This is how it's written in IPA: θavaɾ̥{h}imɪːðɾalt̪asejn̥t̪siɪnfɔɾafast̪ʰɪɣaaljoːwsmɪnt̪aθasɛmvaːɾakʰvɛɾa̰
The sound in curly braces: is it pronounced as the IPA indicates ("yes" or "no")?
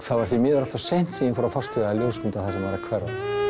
no